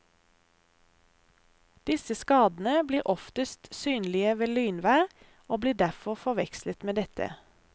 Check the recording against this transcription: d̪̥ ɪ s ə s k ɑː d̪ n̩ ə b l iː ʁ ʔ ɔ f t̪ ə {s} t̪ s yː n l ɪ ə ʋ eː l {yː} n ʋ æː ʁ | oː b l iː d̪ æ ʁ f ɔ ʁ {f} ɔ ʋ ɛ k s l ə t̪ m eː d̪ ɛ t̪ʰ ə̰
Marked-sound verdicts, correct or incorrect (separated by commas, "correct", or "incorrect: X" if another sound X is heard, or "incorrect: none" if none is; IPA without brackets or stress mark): correct, correct, correct